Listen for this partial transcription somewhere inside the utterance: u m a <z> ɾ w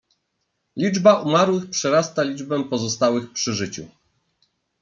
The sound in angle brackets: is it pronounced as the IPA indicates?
no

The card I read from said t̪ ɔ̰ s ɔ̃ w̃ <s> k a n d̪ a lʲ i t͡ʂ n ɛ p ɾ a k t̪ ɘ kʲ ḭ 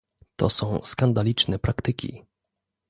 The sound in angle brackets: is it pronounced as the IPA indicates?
yes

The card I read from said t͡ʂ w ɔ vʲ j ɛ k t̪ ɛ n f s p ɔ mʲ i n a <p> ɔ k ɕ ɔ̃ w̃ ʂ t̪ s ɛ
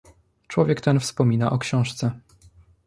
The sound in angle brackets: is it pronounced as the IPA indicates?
no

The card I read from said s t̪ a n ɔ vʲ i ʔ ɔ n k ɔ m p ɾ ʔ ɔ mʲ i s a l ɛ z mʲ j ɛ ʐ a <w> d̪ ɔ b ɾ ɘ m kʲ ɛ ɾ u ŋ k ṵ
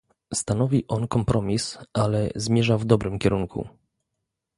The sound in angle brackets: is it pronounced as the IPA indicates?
no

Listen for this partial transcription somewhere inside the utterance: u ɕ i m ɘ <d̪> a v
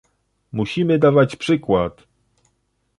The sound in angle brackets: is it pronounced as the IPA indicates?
yes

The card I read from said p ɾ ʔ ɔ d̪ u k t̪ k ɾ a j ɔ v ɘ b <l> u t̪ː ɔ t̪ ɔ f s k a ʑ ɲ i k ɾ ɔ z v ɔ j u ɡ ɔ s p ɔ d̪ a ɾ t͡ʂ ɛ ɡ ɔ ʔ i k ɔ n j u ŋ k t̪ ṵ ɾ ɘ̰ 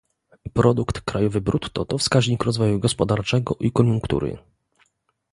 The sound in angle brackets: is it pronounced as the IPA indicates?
no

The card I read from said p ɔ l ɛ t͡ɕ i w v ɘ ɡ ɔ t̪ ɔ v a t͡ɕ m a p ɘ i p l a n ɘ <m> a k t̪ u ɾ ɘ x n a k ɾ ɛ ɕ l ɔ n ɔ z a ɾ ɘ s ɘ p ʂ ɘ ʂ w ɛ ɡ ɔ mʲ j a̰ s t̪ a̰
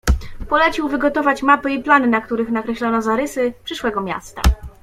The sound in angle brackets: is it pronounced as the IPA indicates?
no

